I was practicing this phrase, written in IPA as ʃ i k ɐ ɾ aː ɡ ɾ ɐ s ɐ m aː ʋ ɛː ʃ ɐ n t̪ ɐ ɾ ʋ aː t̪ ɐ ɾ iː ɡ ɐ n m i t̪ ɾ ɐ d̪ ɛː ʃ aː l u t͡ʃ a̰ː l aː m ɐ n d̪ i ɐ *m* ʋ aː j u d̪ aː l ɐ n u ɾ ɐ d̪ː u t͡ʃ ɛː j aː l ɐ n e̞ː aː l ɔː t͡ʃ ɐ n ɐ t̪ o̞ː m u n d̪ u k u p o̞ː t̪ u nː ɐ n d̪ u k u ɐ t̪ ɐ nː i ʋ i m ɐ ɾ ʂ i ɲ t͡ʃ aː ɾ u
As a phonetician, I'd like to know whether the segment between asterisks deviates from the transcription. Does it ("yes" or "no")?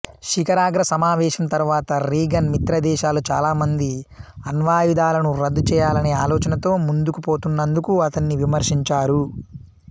yes